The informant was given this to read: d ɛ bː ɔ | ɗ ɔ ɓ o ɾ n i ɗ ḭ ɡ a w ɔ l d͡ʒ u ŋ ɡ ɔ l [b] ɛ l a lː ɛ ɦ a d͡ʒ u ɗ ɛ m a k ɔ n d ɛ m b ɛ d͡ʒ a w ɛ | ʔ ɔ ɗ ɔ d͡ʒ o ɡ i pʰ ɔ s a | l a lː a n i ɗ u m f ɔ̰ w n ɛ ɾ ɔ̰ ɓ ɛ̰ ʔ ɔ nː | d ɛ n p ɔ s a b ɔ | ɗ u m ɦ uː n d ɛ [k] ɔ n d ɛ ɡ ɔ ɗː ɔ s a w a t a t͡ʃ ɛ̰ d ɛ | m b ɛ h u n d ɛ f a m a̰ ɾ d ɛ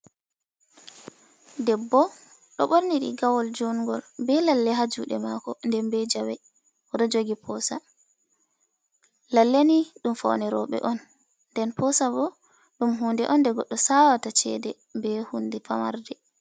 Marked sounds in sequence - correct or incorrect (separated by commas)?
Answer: correct, incorrect